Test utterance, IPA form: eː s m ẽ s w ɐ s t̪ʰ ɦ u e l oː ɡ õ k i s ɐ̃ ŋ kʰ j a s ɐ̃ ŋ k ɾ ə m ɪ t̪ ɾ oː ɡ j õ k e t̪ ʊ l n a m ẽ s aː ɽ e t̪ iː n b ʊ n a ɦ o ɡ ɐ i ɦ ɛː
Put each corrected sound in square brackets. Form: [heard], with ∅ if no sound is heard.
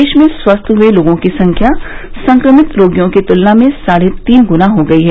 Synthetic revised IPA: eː [ʃ] m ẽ s w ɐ s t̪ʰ ɦ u e l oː ɡ õ k i s ɐ̃ ŋ kʰ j a s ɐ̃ ŋ k ɾ ə m ɪ t̪ ɾ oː ɡ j õ k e t̪ ʊ l n a m ẽ s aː ɽ e t̪ iː n [ɡ] ʊ n a ɦ o ɡ ɐ i ɦ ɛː